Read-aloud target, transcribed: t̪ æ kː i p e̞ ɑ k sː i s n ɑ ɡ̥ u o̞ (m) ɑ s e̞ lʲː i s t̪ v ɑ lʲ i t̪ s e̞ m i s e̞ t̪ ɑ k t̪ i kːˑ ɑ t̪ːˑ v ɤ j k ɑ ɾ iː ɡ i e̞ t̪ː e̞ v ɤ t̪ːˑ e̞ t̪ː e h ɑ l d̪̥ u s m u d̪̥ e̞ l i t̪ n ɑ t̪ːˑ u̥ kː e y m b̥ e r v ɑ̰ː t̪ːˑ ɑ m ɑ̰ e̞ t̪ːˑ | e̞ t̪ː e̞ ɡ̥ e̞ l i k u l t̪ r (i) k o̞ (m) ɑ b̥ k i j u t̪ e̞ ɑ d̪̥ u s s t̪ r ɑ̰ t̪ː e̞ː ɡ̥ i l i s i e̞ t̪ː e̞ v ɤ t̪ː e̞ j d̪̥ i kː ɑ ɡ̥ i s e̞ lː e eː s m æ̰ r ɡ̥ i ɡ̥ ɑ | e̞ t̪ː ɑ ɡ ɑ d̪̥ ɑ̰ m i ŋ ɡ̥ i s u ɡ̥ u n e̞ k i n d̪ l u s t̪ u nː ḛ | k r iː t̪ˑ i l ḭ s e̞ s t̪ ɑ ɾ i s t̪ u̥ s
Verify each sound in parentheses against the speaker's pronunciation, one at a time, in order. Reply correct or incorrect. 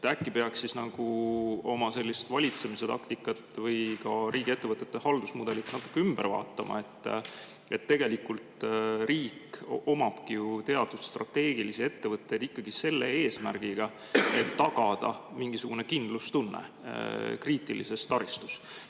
correct, incorrect, correct

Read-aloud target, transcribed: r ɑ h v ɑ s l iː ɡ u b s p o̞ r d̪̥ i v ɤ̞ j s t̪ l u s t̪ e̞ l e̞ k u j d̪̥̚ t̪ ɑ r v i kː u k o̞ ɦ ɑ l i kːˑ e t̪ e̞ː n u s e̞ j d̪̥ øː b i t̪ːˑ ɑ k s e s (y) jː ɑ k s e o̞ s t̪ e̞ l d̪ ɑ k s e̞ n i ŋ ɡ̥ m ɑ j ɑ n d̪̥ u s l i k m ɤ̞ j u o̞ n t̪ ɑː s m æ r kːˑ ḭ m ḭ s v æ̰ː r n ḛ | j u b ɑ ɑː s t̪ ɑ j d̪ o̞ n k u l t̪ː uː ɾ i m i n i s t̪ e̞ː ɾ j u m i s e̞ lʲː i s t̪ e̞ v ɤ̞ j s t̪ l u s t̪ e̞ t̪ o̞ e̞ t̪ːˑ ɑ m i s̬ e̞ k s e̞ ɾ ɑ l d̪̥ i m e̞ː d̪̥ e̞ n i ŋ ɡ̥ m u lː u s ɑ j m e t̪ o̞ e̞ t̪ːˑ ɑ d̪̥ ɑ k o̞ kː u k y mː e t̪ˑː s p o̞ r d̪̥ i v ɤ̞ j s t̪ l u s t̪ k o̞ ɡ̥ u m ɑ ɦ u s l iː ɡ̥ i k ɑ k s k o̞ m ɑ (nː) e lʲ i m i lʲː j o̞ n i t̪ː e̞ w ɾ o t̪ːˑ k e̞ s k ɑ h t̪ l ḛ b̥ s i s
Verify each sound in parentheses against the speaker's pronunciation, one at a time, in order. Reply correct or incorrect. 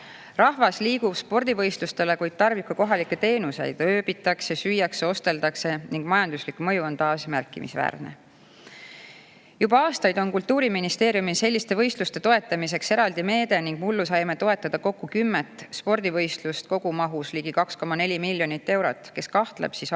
correct, incorrect

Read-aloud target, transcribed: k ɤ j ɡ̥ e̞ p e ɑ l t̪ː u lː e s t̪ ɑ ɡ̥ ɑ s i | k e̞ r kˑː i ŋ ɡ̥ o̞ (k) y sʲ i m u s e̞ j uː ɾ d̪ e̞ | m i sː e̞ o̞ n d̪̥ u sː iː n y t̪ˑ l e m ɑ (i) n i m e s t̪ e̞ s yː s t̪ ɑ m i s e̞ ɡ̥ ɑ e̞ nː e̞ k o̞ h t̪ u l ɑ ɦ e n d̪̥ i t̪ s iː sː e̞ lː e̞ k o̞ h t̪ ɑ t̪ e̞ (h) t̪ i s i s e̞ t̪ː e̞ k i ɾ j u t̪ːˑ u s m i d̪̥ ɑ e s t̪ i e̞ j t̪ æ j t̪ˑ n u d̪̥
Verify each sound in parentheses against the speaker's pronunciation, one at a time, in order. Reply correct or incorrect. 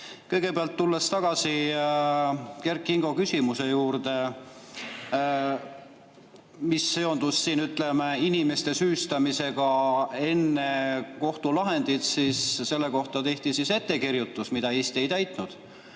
correct, correct, correct

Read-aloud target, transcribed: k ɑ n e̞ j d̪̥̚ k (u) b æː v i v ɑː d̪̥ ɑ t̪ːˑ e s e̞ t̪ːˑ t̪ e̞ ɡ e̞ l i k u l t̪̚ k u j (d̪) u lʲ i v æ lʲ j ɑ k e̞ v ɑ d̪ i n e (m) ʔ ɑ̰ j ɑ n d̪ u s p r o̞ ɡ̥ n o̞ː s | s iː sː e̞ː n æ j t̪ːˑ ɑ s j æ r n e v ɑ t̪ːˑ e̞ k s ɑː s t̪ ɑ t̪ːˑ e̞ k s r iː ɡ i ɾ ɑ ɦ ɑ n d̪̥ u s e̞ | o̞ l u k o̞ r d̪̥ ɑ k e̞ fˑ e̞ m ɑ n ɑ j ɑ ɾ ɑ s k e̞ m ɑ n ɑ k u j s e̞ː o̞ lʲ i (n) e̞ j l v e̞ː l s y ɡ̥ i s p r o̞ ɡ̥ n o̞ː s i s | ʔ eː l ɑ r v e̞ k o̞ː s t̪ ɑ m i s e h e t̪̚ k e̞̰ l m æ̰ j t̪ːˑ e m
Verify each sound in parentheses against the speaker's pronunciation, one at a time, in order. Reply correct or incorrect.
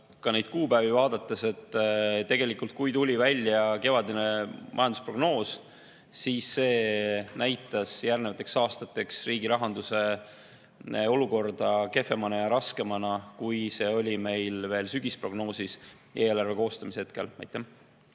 incorrect, incorrect, correct, incorrect

